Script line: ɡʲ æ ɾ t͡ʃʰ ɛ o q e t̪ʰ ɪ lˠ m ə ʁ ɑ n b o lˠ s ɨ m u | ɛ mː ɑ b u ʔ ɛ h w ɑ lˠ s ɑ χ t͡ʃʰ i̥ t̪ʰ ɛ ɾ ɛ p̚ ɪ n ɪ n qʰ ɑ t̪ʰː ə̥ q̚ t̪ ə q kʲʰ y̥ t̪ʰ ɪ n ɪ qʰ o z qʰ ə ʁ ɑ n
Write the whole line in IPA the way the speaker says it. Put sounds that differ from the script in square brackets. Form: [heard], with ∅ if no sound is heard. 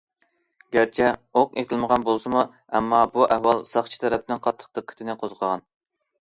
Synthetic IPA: ɡʲ æ ɾ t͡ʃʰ ɛ o q e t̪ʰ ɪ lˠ m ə ʁ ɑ n b o lˠ s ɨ m u | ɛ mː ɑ b u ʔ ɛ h w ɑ lˠ s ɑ χ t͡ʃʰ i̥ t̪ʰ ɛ ɾ ɛ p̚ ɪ n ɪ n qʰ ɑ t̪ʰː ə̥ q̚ t̪ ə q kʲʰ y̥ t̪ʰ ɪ n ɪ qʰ o z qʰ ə ʁ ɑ n